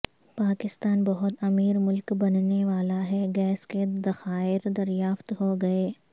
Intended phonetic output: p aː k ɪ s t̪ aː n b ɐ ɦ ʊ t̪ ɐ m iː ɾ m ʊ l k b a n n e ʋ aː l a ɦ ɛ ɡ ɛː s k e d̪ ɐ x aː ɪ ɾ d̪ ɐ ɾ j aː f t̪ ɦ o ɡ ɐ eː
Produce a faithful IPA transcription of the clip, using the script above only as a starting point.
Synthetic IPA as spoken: p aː k ɪ s t̪ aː n b ɐ ɦ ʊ t̪ ɐ m iː ɾ m ʊ l k b ɐ n n e ʋ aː l a ɦ ɛ ɡ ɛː s k e d̪ ɐ x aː ɪ ɾ d̪ ɐ ɾ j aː f t̪ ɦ o ɡ ɐ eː